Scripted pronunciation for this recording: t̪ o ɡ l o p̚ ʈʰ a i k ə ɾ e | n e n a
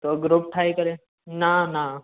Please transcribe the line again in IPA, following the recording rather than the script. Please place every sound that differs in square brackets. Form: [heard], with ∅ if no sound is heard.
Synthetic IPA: t̪ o ɡ [ɾ] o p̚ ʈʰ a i k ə ɾ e | n [a] n a